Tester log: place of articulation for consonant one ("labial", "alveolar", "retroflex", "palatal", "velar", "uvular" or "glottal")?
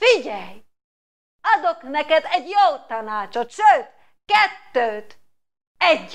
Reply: labial